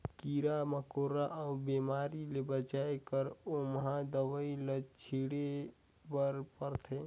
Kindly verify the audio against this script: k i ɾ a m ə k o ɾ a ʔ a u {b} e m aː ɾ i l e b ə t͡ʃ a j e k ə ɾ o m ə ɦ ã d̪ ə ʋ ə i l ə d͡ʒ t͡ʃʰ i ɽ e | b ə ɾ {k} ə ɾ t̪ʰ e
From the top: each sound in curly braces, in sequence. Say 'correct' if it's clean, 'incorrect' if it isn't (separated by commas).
correct, incorrect